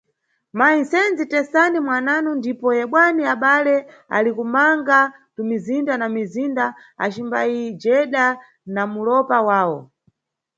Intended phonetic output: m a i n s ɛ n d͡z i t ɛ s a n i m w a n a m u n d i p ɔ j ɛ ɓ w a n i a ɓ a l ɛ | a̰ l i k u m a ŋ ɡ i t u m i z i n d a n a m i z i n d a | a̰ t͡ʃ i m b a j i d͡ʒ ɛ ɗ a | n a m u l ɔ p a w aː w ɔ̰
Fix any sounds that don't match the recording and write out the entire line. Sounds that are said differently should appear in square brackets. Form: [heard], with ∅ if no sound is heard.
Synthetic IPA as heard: m a i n s ɛ n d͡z i t ɛ s a n i m w a n a [n] u n d i p ɔ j ɛ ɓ w a n i a ɓ a l ɛ | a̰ l i k u m a ŋ ɡ [a] t u m i z i n d a n a m i z i n d a | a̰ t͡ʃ i m b a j i d͡ʒ ɛ ɗ a | n a m u l ɔ p a w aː w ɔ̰